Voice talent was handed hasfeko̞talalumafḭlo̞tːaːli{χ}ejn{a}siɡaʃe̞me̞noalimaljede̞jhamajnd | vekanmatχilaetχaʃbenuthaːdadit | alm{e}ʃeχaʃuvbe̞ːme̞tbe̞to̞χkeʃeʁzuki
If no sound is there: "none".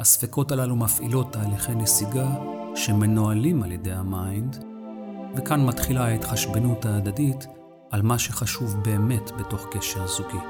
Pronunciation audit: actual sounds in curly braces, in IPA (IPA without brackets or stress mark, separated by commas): χ, e, a